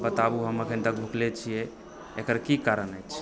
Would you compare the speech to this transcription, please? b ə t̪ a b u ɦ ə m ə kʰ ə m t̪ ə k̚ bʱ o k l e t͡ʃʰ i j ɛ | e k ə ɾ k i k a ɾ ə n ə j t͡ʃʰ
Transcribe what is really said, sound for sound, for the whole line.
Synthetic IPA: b ə t̪ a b u ɦ ə m ə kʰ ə n t̪ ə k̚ bʱ u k l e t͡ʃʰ i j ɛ | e k ə ɾ k i k a ɾ ə n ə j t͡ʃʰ